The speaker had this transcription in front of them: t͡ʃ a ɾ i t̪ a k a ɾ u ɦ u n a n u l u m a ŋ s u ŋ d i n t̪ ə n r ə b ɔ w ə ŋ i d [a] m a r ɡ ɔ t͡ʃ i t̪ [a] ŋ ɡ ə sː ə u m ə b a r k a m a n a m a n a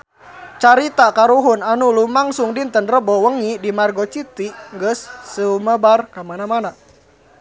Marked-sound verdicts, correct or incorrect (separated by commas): incorrect, incorrect